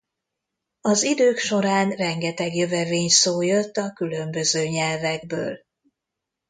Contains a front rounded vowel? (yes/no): yes